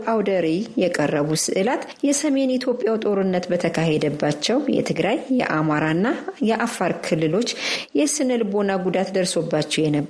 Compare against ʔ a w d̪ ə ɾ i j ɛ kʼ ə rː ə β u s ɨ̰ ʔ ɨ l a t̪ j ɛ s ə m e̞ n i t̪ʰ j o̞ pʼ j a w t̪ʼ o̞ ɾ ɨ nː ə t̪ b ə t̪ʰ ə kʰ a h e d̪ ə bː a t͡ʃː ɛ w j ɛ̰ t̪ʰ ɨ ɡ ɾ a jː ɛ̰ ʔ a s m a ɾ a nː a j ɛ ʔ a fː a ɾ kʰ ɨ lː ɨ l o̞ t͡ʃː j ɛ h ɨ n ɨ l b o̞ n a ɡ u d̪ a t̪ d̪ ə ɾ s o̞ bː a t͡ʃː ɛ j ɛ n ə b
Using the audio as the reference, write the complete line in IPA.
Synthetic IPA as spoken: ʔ a w d̪ ə ɾ i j ɛ kʼ ə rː ə β u s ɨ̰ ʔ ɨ l a t̪ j ɛ s ə m e̞ n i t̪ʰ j o̞ pʼ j a w t̪ʼ o̞ ɾ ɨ nː ə t̪ b ə t̪ʰ ə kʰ a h e d̪ ə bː a t͡ʃː ɛ w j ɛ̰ t̪ʰ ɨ ɡ ɾ a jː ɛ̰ ʔ a m a ɾ a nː a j ɛ ʔ a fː a ɾ kʰ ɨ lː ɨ l o̞ t͡ʃː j ɛ s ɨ n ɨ l b o̞ n a ɡ u d̪ a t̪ d̪ ə ɾ s o̞ bː a t͡ʃː ɛ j ɛ n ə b